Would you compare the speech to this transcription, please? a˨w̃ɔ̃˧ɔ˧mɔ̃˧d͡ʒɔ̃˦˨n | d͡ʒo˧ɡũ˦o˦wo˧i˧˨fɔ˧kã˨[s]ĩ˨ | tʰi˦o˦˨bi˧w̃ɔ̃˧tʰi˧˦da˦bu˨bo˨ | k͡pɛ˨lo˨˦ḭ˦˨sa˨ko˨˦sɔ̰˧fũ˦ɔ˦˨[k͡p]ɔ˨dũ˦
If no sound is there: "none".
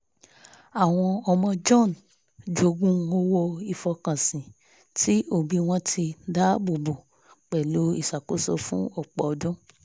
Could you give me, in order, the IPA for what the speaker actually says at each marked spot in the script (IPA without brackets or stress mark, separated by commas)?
s, k͡p